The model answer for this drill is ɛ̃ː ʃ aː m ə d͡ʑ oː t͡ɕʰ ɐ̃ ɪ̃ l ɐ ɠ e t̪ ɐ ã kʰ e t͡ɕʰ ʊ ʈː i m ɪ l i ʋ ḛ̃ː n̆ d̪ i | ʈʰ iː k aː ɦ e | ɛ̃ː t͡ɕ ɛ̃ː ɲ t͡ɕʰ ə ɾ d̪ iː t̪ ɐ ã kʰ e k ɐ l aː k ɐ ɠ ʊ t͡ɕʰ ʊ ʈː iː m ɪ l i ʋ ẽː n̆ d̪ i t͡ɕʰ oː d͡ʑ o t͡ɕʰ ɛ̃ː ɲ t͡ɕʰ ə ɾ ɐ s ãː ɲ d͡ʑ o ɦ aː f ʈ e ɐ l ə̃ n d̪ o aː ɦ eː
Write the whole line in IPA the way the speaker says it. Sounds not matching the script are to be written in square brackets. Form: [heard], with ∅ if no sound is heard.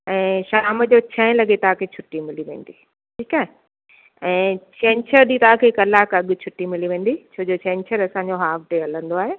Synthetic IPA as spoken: ɛ̃ː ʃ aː m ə d͡ʑ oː t͡ɕʰ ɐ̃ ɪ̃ l ɐ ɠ e t̪ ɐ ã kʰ e t͡ɕʰ ʊ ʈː i m ɪ l i ʋ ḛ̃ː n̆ d̪ i | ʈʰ iː k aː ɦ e | ɛ̃ː t͡ɕ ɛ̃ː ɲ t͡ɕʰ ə ɾ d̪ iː t̪ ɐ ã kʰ e k ɐ l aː k ɐ ɠ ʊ t͡ɕʰ ʊ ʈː [i] m ɪ l i ʋ ẽː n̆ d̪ i t͡ɕʰ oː d͡ʑ o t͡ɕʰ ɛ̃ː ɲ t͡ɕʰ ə ɾ ɐ s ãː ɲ d͡ʑ o ɦ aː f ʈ e ɐ l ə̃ n d̪ o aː ɦ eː

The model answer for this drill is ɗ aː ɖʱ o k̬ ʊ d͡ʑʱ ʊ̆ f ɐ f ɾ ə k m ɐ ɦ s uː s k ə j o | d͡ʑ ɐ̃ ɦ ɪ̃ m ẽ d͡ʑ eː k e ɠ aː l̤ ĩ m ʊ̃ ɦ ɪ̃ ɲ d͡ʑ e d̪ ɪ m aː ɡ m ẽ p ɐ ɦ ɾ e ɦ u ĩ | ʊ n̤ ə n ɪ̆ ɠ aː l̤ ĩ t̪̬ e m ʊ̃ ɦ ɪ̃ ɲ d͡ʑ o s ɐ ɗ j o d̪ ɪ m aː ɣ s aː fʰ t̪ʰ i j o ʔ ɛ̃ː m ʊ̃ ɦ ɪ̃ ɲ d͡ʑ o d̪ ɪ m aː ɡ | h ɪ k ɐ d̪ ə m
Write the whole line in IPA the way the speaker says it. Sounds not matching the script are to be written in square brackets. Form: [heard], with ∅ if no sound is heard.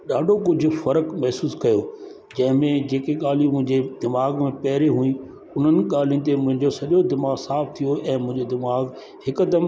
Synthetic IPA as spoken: ɗ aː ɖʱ o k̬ ʊ d͡ʑʱ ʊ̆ f ɐ [∅] ɾ ə k m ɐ ɦ s uː s k [ɐ] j o | d͡ʑ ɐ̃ ɦ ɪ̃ m ẽ d͡ʑ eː k e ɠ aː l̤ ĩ m ʊ̃ ɦ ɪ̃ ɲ d͡ʑ e d̪ ɪ m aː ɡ m ẽ p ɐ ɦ ɾ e ɦ u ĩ | ʊ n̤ ə n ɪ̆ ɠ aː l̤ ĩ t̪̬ e m ʊ̃ ɦ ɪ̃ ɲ d͡ʑ o s ɐ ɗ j o d̪ ɪ m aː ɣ s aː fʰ t̪ʰ i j o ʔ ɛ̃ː m ʊ̃ ɦ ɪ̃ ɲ d͡ʑ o d̪ ɪ m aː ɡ | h ɪ k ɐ d̪ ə m

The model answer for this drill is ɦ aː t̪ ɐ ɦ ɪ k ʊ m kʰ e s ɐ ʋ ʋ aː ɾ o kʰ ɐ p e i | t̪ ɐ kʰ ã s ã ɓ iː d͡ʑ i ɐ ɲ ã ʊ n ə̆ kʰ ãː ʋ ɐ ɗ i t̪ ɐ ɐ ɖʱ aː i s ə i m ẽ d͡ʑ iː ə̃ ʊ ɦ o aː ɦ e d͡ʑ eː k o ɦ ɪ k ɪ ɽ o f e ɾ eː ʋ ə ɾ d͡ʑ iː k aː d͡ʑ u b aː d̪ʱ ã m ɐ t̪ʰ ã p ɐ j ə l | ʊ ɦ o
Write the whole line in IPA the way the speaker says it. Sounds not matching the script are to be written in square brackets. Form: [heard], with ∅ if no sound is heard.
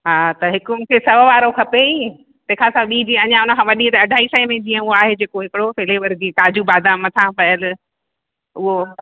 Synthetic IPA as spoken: ɦ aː t̪ ɐ ɦ ɪ k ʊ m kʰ e s ɐ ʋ ʋ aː ɾ o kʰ ɐ p e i | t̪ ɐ kʰ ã s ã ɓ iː d͡ʑ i ɐ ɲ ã ʊ n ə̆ kʰ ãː ʋ ɐ ɗ i t̪ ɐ ɐ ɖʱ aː i s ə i m ẽ d͡ʑ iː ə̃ ʊ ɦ o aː ɦ e d͡ʑ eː k o ɦ ɪ k ɪ ɽ o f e [l] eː ʋ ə ɾ d͡ʑ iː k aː d͡ʑ u b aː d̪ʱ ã m ɐ t̪ʰ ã p ɐ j ə l | ʊ ɦ o

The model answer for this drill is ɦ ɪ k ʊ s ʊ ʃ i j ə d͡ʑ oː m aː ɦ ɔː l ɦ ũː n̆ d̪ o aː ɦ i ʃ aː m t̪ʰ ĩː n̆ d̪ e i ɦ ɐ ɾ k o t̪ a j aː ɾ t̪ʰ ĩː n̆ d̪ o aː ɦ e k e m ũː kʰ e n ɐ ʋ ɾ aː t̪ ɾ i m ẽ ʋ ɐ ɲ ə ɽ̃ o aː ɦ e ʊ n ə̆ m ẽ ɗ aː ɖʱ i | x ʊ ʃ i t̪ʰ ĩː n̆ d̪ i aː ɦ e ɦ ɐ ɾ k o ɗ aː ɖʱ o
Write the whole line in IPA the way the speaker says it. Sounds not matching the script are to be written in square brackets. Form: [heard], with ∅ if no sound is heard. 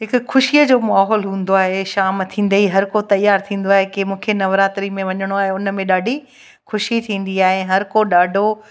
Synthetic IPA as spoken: ɦ ɪ k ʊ [x] ʊ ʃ i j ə d͡ʑ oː m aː ɦ ɔː l ɦ ũː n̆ d̪ o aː ɦ [e] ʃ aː m t̪ʰ ĩː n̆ d̪ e i ɦ ɐ ɾ k o t̪ [ɐ] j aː ɾ t̪ʰ ĩː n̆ d̪ o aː ɦ e k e m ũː kʰ e n ɐ ʋ ɾ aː t̪ ɾ i m ẽ ʋ ɐ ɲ ə ɽ̃ o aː ɦ e ʊ n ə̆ m ẽ ɗ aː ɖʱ i | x ʊ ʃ i t̪ʰ ĩː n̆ d̪ i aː ɦ e ɦ ɐ ɾ k o ɗ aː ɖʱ o

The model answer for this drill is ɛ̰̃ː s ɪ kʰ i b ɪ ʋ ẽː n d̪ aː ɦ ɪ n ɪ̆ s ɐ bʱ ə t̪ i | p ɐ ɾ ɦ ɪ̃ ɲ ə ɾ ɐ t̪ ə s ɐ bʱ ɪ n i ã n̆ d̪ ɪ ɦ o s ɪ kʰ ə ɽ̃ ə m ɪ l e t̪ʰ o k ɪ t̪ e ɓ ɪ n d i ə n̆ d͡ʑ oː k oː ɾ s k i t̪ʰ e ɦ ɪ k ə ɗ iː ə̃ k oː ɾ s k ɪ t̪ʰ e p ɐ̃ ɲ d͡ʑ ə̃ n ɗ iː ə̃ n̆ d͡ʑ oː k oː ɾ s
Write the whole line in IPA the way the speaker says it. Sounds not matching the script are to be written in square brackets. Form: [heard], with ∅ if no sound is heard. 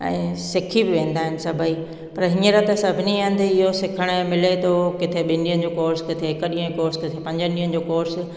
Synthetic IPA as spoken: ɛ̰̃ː s ɪ kʰ i b ɪ ʋ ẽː n d̪ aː ɦ ɪ n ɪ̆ s ɐ bʱ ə [∅] i | p ɐ ɾ ɦ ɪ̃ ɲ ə ɾ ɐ t̪ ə s ɐ bʱ ɪ n i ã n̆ d̪ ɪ ɦ o s ɪ kʰ ə ɽ̃ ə m ɪ l e t̪ʰ o k ɪ [t̪ʰ] e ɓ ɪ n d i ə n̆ d͡ʑ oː k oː ɾ s k [ɪ] t̪ʰ e ɦ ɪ k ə ɗ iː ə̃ k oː ɾ s k ɪ t̪ʰ e p ɐ̃ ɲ d͡ʑ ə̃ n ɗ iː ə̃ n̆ d͡ʑ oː k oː ɾ s

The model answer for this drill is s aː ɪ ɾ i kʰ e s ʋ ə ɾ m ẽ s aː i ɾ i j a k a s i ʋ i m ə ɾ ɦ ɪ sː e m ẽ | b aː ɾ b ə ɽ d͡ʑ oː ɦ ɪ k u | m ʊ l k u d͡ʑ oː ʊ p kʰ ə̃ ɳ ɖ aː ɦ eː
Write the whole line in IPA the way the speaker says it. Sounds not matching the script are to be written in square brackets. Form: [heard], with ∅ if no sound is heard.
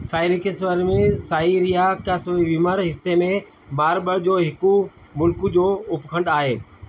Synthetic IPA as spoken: s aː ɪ ɾ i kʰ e s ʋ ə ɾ m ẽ s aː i ɾ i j a k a s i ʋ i m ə ɾ ɦ ɪ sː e m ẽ | b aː ɾ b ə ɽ d͡ʑ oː ɦ ɪ k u | m ʊ l k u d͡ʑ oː ʊ p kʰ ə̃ ɳ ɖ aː ɦ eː

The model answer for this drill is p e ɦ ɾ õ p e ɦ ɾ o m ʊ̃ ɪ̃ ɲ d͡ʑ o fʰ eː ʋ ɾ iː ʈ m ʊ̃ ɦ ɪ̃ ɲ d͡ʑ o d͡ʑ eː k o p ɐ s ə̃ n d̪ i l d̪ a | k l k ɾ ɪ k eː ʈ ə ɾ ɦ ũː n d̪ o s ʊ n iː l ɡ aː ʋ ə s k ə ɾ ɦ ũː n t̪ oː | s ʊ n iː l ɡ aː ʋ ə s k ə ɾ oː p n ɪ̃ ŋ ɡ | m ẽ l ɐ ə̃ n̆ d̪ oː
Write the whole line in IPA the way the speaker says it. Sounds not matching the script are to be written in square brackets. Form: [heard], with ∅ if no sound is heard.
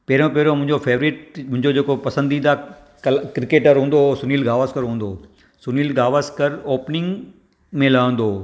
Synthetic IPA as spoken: p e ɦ ɾ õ p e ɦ ɾ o m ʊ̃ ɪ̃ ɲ d͡ʑ o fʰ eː ʋ ɾ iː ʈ m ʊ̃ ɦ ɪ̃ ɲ d͡ʑ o d͡ʑ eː k o p ɐ s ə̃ n d̪ i [∅] d̪ a | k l k ɾ ɪ k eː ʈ ə ɾ ɦ ũː n d̪ o s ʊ n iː l ɡ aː ʋ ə s k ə ɾ ɦ ũː n [d̪] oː | s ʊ n iː l ɡ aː ʋ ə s k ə ɾ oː p n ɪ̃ ŋ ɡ | m ẽ l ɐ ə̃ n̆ d̪ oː

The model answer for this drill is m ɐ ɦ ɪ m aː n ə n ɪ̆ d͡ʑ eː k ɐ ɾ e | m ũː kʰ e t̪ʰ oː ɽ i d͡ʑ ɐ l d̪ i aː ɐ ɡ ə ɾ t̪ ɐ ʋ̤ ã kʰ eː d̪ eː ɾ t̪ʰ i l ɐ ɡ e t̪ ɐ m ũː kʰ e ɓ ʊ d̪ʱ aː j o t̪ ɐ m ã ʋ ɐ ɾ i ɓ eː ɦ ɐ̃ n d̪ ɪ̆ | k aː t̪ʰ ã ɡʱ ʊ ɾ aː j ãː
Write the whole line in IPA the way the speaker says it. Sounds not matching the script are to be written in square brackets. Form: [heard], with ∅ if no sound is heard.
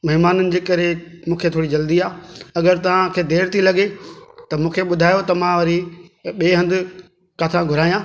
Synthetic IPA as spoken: m ɐ ɦ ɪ m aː n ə n ɪ̆ d͡ʑ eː k ɐ ɾ e | m ũː kʰ e t̪ʰ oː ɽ i d͡ʑ ɐ l d̪ i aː ɐ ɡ ə ɾ t̪ ɐ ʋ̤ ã kʰ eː d̪ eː ɾ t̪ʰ i l ɐ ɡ e t̪ ɐ m ũː kʰ e ɓ ʊ d̪ʱ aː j o t̪ ɐ m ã ʋ ɐ ɾ i ɓ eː ɦ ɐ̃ n d̪ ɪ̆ | k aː t̪ʰ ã ɡʱ ʊ ɾ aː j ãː

